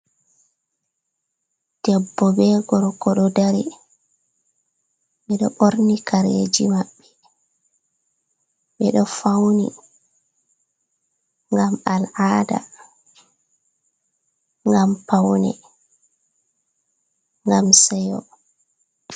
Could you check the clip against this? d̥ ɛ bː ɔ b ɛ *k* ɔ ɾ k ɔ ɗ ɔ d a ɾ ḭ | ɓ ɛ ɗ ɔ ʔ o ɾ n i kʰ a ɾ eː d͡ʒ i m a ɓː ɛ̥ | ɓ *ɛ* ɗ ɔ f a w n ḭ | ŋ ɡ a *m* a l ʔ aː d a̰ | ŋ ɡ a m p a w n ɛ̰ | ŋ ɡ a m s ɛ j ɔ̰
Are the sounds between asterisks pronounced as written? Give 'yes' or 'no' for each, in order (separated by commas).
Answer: no, yes, yes